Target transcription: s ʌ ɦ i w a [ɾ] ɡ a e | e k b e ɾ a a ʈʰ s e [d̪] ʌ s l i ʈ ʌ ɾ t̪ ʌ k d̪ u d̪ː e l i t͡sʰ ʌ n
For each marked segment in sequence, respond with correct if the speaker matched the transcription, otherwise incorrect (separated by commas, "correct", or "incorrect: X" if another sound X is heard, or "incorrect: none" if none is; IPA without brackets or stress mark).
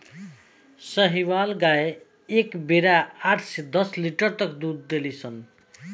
incorrect: l, correct